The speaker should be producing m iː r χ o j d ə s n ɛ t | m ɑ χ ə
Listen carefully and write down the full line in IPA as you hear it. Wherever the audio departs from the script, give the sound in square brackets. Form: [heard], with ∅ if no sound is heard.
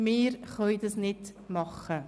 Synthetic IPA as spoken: m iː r χ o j d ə s n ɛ t | m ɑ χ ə

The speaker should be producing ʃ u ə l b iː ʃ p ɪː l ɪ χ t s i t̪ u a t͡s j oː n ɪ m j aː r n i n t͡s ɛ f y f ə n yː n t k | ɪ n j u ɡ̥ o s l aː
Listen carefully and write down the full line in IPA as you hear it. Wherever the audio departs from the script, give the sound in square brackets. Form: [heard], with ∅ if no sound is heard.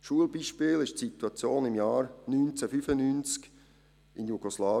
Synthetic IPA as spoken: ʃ u ə l b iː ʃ p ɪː l ɪ [ʃ] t s i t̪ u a t͡s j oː n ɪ m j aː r n [y] n t͡s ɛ f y f ə n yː n [t͡s] k | ɪ n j u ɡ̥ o s l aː

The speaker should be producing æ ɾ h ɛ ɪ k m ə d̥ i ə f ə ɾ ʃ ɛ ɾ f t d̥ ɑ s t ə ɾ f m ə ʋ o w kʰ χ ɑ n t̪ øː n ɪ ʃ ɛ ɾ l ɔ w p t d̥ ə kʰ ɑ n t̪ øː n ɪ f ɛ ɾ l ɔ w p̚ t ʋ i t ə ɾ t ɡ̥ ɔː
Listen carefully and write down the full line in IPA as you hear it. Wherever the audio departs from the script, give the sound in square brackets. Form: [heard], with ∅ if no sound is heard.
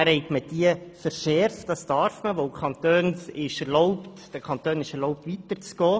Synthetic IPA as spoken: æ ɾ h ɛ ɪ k m ə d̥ i ə f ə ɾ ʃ ɛ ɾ f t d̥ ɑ s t [ɑ] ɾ f m ə ʋ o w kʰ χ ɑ n t̪ øː n ɪ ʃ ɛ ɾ l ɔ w p t d̥ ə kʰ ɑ n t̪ øː n ɪ [ʃ] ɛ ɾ l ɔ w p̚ t ʋ i t ə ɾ [t͡s] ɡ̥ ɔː

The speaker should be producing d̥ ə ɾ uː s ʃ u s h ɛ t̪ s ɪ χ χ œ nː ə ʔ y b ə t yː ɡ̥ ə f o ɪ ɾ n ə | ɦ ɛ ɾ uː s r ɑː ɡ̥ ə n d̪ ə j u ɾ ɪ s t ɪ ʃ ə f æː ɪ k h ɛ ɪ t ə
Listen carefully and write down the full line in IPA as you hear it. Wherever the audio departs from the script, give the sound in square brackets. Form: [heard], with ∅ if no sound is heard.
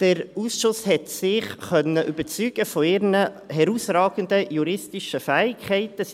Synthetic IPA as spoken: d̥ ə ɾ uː s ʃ [ʊ] s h ɛ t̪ s ɪ χ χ œ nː ə ʔ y b ə [t͡s] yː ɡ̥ ə f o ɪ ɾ n ə | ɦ ɛ ɾ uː s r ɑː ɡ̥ ə n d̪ ə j u ɾ ɪ s t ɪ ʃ ə f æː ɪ k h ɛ ɪ t ə

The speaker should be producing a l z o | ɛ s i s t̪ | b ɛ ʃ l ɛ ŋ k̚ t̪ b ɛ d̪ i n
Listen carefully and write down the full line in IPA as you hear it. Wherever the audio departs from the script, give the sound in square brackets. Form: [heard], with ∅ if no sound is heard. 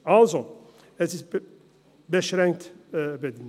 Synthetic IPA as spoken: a l z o | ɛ s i s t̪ | b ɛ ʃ [ɾ] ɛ ŋ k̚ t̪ b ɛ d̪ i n

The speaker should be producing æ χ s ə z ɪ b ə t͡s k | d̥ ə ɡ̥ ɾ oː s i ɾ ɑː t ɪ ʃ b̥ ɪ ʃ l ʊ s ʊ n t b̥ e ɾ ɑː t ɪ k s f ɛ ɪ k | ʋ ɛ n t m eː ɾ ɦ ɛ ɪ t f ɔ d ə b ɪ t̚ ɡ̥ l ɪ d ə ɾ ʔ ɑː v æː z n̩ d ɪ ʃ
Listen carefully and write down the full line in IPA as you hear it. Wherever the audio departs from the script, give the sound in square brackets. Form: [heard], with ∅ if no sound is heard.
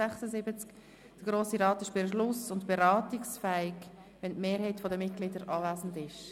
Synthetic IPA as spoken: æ χ s ə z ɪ b ə t͡s k | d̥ ə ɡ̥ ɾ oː s i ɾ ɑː t ɪ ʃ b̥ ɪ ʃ l ʊ s ʊ n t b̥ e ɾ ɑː t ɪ k s f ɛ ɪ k | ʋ ɛ n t m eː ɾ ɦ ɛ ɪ t f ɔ d ə [m] ɪ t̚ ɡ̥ l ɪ d ə ɾ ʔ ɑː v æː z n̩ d ɪ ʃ

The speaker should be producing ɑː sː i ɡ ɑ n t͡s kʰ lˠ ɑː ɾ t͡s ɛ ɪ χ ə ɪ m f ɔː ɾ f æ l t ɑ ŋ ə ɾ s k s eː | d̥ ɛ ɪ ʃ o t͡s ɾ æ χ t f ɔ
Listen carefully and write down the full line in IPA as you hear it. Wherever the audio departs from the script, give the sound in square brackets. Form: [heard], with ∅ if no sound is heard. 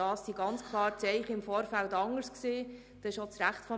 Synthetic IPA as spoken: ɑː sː i ɡ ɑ n t͡s kʰ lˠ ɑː ɾ t͡s ɛ ɪ χ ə ɪ m f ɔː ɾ f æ l t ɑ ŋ ə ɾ s k s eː | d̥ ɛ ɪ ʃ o t͡s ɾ æ χ t f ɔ

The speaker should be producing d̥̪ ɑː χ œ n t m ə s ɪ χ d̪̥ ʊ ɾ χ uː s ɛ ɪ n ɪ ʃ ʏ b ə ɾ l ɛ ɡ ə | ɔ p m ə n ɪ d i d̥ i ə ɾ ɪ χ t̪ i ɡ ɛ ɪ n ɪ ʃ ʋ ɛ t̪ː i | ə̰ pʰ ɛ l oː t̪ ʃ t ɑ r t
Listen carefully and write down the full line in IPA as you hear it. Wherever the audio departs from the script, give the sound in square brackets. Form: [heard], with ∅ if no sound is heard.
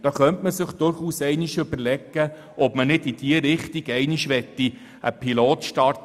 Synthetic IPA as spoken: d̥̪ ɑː χ œ n t m ə s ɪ χ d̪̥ ʊ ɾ χ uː s ɛ ɪ n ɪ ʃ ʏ b ə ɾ l ɛ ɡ ə | ɔ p m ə n ɪ d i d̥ i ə ɾ ɪ χ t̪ i ɡ ɛ ɪ n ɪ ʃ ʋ ɛ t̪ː i | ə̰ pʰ [i] l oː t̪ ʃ t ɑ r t

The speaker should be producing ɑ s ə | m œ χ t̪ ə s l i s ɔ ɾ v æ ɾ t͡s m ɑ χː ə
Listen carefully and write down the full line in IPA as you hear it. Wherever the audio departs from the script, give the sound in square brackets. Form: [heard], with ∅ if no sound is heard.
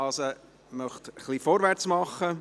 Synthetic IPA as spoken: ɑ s ə | m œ χ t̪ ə [χ] l i [f] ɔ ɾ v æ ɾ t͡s m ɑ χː ə

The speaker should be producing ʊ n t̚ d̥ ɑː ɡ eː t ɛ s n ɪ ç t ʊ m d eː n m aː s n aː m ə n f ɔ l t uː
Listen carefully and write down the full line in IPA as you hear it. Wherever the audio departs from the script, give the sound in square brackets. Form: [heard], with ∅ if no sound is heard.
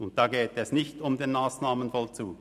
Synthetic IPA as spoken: ʊ n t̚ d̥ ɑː ɡ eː t ɛ s n ɪ ç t ʊ m d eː n m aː s n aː m ə n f ɔ l [t͡s] uː

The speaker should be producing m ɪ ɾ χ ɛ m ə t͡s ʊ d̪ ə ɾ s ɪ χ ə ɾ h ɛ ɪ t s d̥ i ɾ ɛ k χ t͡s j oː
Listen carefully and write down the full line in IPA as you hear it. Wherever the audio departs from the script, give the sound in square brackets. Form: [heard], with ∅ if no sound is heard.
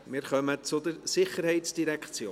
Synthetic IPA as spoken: m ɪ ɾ χ [œ] m ə t͡s ʊ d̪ ə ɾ s ɪ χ ə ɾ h ɛ ɪ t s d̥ i ɾ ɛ k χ t͡s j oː

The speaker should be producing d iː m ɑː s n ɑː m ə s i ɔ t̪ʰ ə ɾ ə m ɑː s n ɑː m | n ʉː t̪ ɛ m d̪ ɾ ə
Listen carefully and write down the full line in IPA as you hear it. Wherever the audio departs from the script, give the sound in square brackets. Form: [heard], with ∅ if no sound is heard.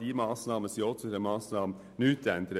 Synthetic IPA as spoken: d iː m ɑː s n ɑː m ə s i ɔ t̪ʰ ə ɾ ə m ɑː s n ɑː m | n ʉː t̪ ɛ [n] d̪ ɾ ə

